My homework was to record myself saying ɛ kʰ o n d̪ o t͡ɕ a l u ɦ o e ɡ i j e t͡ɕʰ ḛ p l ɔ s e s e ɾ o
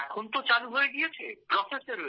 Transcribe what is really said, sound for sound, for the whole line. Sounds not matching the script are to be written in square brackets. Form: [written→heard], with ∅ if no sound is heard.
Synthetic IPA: ɛ kʰ o n [d̪→t̪] o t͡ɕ a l u ɦ o e ɡ i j e t͡ɕʰ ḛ p [l→ɾ] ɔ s e s e ɾ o